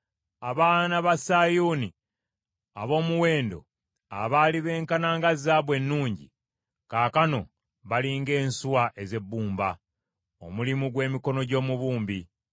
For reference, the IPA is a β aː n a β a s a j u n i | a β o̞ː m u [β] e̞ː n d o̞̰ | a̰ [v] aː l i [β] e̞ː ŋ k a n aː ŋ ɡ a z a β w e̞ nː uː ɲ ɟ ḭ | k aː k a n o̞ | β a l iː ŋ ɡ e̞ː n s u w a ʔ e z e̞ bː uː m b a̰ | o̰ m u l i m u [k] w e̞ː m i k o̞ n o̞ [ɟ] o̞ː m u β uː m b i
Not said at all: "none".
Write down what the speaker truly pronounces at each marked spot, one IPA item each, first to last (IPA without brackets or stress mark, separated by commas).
w, β, β, ɡ, ɟ